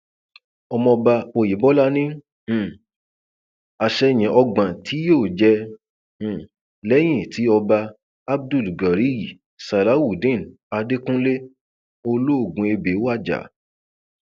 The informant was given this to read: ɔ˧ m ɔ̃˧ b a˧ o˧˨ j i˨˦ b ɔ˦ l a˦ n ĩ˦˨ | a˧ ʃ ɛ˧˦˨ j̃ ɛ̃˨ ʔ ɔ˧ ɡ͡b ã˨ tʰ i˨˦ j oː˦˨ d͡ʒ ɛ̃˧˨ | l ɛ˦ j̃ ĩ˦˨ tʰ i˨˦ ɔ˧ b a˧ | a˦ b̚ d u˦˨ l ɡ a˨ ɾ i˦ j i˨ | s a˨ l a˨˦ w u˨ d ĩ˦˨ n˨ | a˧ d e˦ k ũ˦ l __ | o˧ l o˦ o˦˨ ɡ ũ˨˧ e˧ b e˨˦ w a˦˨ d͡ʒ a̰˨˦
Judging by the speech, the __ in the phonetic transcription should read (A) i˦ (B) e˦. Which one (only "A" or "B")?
B